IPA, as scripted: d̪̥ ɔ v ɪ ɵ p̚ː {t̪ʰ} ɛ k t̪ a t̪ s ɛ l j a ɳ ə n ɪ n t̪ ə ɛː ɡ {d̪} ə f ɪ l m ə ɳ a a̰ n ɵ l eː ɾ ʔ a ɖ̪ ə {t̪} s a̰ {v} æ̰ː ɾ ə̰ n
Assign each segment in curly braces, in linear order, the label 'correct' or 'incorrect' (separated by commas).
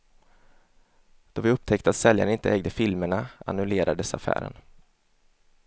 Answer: correct, correct, incorrect, incorrect